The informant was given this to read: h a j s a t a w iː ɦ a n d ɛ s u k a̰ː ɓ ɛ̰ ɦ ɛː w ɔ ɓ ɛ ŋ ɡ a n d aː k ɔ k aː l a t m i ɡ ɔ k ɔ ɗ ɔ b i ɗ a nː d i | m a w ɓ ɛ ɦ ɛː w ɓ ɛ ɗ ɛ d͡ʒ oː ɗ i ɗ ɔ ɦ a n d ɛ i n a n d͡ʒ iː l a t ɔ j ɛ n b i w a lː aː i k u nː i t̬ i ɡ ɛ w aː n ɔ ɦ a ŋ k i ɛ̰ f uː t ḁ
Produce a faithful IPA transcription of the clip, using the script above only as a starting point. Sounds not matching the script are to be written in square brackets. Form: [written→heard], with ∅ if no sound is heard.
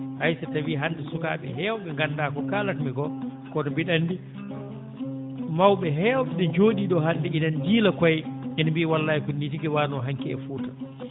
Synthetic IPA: h a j s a t a w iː ɦ a n d ɛ s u k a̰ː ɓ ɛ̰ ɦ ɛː w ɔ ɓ ɛ ŋ ɡ a n d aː k ɔ k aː l a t m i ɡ ɔ k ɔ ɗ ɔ b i ɗ a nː d i | m a w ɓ ɛ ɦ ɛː w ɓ ɛ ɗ ɛ d͡ʒ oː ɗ i ɗ ɔ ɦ a n d ɛ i n a n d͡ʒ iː l a [t→k] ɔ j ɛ n b i w a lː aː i k u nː i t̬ i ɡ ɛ w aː n ɔ ɦ a ŋ k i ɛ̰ f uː t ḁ